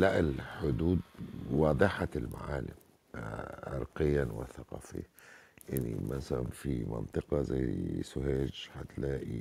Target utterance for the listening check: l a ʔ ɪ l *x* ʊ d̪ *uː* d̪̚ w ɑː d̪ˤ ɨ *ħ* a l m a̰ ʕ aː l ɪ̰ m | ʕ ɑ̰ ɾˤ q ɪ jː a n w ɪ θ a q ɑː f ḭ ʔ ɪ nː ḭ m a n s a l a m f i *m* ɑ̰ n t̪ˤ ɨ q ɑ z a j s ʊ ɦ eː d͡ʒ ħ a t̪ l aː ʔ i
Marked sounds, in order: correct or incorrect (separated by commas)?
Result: incorrect, correct, correct, correct